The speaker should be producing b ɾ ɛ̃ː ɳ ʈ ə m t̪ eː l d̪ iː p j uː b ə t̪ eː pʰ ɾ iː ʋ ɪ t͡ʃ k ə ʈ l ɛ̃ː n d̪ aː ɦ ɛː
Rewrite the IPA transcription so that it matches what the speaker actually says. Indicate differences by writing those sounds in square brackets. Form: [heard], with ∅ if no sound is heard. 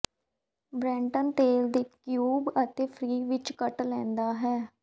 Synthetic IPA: b ɾ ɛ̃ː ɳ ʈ ə [n] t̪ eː l d̪ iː [k] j uː b ə t̪ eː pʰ ɾ iː ʋ ɪ t͡ʃ k ə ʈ l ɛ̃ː n d̪ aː ɦ ɛː